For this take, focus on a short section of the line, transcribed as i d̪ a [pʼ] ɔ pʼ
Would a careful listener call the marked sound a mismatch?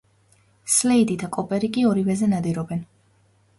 yes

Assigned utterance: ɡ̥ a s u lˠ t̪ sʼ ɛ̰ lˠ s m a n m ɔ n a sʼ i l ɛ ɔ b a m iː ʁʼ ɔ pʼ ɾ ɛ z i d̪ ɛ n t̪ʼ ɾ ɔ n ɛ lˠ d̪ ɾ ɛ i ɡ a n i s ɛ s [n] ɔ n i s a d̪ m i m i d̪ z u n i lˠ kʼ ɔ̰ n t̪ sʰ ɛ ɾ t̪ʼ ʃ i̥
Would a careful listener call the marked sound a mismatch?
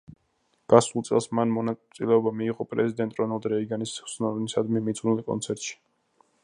no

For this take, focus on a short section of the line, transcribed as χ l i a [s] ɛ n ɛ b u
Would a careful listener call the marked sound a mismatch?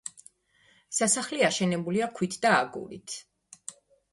yes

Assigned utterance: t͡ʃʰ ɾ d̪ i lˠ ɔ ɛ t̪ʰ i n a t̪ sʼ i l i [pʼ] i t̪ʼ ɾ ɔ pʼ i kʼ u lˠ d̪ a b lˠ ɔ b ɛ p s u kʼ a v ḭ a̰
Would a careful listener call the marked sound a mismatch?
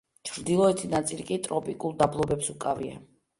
yes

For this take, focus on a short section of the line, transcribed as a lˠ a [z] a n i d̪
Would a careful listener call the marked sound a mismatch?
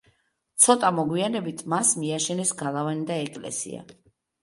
yes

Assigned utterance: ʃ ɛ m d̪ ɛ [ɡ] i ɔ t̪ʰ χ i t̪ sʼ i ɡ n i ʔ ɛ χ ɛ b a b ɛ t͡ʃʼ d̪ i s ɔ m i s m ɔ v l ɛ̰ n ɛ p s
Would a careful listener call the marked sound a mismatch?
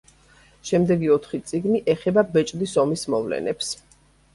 no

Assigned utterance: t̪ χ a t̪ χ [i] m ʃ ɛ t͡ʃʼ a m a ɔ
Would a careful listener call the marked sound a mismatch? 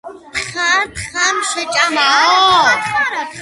yes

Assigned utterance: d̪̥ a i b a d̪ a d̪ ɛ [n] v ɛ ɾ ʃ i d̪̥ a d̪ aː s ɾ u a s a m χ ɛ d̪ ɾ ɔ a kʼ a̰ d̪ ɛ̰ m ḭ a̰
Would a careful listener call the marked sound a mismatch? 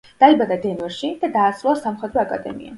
no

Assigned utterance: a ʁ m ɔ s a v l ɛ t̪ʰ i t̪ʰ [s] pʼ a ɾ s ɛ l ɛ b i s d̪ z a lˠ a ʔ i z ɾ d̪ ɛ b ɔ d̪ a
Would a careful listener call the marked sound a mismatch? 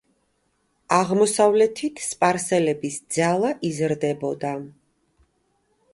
no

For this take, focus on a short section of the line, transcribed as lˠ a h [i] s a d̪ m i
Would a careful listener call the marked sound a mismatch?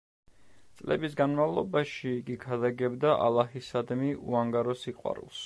no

